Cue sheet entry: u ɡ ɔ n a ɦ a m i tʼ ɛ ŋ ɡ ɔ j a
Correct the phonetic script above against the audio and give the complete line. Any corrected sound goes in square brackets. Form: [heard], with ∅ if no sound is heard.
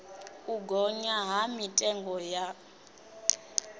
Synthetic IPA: u ɡ ɔ [ɲ] a ɦ a m i tʼ ɛ ŋ ɡ ɔ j a